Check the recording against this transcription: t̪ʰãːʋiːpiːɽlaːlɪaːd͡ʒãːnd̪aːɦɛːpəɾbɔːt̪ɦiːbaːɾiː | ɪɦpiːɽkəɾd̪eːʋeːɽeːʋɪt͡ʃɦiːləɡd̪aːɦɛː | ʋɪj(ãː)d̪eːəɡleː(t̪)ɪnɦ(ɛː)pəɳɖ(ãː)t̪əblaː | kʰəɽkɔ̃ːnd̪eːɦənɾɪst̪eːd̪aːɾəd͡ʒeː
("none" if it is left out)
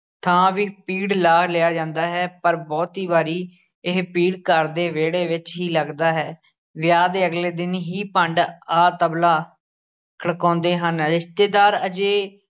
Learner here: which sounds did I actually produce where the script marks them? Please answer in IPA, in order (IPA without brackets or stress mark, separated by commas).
aː, d̪, iː, aː